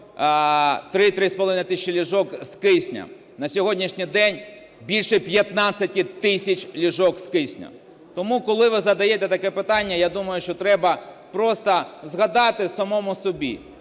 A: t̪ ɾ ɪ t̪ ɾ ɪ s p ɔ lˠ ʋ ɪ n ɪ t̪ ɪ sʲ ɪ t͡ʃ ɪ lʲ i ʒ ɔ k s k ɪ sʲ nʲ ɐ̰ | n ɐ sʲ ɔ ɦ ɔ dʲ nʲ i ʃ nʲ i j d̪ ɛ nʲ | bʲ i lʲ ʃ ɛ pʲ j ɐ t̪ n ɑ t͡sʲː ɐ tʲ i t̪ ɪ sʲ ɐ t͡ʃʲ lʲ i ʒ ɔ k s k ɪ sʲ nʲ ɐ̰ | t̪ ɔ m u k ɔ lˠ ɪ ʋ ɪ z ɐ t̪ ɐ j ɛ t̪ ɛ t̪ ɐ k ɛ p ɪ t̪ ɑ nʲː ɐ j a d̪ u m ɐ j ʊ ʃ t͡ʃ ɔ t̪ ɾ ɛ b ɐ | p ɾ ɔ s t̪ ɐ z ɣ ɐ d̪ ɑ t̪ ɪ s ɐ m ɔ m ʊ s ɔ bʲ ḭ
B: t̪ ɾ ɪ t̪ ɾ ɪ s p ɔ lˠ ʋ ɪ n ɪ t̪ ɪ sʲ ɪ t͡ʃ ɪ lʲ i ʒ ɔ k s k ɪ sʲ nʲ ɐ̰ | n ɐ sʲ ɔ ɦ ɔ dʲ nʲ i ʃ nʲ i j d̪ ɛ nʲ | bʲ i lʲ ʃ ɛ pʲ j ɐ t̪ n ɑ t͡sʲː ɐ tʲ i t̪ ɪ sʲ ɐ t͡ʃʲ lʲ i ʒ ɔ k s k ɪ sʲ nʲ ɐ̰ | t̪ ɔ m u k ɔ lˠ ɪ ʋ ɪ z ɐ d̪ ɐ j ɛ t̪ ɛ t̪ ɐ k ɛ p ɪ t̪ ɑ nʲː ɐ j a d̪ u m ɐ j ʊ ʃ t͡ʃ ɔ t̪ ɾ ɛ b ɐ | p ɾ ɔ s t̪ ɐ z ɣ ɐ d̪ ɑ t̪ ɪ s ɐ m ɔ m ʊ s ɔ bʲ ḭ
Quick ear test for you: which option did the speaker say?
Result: B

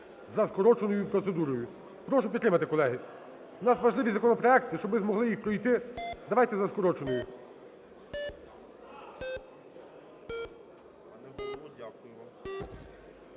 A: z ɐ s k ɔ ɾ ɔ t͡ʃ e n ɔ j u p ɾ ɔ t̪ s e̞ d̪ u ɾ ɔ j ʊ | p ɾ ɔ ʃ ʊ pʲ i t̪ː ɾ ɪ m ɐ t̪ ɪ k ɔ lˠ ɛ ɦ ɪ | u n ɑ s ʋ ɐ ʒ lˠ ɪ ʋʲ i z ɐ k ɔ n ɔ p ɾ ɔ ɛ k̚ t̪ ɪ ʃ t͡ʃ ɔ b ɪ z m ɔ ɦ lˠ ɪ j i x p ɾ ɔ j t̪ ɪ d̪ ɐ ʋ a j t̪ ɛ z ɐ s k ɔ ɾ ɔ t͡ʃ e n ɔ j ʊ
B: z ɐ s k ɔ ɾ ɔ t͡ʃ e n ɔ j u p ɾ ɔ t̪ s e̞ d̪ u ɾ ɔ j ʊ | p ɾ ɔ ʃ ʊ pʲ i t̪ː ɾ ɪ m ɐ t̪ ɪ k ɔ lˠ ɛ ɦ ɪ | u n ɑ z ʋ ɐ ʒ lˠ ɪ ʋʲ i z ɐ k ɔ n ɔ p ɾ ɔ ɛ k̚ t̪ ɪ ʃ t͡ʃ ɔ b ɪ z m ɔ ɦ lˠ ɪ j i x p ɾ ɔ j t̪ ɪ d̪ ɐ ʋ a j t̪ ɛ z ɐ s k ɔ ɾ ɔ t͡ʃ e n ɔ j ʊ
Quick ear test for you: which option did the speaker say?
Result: A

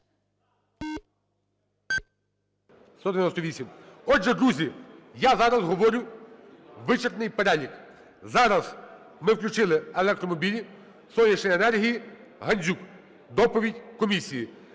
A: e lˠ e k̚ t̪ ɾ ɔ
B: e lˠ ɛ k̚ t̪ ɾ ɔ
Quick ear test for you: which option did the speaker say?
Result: B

